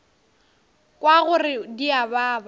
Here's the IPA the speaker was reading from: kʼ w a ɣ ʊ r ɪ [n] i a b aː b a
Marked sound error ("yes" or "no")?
yes